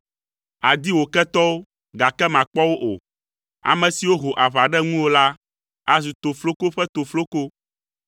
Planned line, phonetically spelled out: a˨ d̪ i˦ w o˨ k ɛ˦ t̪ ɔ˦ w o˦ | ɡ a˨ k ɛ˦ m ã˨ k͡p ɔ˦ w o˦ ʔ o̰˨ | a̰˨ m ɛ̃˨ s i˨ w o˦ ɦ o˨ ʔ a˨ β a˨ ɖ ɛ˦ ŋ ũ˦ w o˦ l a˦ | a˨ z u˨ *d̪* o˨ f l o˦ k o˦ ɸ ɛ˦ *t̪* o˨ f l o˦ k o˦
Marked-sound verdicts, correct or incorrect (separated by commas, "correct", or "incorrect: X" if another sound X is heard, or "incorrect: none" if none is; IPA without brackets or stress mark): incorrect: t̪, correct